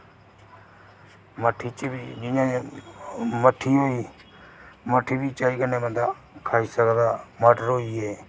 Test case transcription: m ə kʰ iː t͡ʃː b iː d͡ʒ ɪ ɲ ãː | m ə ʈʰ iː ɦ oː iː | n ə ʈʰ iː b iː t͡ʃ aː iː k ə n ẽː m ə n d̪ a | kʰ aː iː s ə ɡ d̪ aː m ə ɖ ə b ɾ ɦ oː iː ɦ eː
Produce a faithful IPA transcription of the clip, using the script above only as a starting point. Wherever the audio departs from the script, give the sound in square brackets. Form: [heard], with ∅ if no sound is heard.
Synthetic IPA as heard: m ə [ʈʰ] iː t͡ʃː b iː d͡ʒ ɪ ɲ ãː | m ə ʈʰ iː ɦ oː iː | [m] ə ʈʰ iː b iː t͡ʃ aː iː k ə n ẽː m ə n d̪ a | kʰ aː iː s ə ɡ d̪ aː m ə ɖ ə [∅] ɾ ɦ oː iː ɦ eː

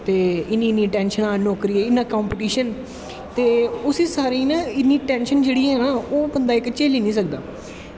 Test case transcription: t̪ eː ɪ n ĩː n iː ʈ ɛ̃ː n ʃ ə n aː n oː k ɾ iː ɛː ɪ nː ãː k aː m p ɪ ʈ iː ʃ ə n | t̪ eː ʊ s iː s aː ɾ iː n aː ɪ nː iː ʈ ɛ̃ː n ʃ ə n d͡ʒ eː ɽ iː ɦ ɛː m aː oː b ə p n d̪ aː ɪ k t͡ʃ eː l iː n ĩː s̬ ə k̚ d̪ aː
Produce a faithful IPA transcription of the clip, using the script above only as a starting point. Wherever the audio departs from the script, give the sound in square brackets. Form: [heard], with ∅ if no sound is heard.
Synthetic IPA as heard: t̪ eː ɪ n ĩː n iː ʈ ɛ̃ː n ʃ ə n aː n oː k ɾ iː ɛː ɪ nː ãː k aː m p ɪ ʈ iː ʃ ə n | t̪ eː ʊ s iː s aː ɾ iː n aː ɪ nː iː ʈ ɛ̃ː n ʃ ə n d͡ʒ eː ɽ iː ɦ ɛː [n] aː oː b ə [∅] n d̪ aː ɪ k t͡ʃ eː l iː n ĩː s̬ ə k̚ d̪ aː

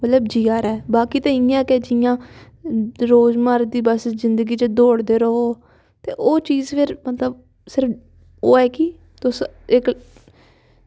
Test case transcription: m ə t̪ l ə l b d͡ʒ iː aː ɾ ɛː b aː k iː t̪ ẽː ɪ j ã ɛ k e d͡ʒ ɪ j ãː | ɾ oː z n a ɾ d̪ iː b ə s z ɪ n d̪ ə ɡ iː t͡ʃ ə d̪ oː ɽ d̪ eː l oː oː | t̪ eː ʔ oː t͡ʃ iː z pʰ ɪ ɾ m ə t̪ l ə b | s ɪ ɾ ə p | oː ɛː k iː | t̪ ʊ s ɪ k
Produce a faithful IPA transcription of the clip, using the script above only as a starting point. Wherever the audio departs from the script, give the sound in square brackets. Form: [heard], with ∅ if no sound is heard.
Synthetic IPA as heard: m ə t̪ l ə [∅] b d͡ʒ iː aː ɾ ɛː b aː k iː t̪ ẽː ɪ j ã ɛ k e d͡ʒ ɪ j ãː | ɾ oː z [m] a ɾ d̪ iː b ə s z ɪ n d̪ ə ɡ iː t͡ʃ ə d̪ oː ɽ d̪ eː [ɾ] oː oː | t̪ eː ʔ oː t͡ʃ iː z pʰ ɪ ɾ m ə t̪ l ə b | s ɪ ɾ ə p | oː ɛː k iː | t̪ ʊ s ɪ k

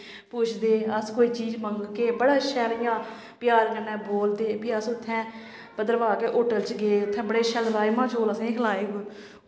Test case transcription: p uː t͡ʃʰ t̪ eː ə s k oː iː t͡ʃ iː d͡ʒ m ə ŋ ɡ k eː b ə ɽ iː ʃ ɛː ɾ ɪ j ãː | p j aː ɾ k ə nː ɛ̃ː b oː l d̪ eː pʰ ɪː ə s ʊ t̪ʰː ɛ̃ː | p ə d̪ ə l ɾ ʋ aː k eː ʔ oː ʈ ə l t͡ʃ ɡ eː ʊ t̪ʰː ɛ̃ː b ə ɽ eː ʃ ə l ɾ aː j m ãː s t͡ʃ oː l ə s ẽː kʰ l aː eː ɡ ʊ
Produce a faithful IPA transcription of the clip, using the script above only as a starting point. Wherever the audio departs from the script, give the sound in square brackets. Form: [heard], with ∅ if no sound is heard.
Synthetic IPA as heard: p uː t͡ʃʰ [d̪] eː ə s k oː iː t͡ʃ iː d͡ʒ m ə ŋ ɡ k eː b ə ɽ [aː] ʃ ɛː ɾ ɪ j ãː | p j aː ɾ k ə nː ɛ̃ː b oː l d̪ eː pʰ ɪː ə s ʊ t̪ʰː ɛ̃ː | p ə d̪ ə [∅] ɾ ʋ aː k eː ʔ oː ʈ ə l t͡ʃ ɡ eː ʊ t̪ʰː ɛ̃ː b ə ɽ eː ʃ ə l ɾ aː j m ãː [∅] t͡ʃ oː l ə s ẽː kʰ l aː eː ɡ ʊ

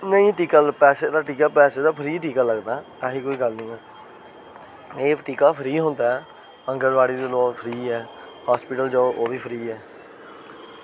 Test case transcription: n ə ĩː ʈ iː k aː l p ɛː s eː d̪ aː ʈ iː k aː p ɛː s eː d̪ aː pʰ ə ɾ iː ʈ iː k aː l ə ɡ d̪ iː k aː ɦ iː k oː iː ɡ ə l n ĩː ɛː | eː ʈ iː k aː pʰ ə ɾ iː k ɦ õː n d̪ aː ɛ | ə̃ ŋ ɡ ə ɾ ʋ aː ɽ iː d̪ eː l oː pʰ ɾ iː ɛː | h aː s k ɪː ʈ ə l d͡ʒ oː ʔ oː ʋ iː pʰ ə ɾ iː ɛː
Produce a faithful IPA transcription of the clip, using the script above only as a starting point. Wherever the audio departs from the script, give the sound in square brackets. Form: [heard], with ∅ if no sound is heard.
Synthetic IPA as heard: n ə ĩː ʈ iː k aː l p ɛː s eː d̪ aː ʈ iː k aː p ɛː s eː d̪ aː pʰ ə ɾ iː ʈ iː k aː l ə ɡ d̪ [aː] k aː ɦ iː k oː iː ɡ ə l n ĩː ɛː | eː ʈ iː k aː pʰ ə ɾ iː [∅] ɦ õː n d̪ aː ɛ | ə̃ ŋ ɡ ə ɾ ʋ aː ɽ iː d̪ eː l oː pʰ ɾ iː ɛː | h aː s [p] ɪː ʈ ə l d͡ʒ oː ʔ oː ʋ iː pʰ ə ɾ iː ɛː

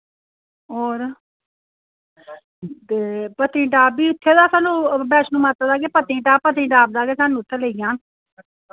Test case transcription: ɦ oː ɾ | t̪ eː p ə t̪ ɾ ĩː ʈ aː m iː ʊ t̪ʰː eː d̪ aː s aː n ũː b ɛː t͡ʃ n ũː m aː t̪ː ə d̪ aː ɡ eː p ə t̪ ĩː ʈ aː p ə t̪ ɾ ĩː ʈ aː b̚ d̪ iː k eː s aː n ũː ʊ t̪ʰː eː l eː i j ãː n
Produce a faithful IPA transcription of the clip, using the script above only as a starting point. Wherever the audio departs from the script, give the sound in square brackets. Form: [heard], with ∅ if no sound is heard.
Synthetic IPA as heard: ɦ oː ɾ | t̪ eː p ə t̪ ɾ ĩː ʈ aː [b] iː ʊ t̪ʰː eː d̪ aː s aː n ũː b ɛː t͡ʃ n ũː m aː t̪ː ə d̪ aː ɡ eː p ə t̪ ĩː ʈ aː p ə t̪ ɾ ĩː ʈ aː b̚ d̪ [aː] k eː s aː n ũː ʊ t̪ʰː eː l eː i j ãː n

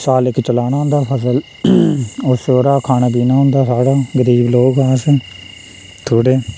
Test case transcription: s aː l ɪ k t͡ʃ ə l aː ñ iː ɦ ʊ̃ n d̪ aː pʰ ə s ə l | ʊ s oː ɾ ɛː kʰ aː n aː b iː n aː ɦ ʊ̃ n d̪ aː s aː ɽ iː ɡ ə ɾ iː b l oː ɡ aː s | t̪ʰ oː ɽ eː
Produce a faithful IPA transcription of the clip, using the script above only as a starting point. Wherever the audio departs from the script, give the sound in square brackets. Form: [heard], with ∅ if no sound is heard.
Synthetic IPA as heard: s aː l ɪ k t͡ʃ ə l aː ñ [aː] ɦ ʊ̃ n d̪ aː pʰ ə s ə l | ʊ s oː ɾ [aː] kʰ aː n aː b iː n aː ɦ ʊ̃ n d̪ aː s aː ɽ [aː] ɡ ə ɾ iː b l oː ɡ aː s | t̪ʰ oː ɽ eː

